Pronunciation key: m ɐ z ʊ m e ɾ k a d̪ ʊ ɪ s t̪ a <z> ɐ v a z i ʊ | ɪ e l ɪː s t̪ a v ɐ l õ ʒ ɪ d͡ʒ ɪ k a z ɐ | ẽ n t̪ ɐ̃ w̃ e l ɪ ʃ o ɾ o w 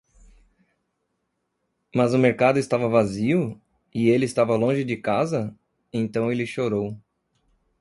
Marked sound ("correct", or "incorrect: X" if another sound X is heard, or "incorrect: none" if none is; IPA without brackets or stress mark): incorrect: v